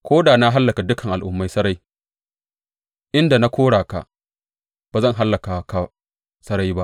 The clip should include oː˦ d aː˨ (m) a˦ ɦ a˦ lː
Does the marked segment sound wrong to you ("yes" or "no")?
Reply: yes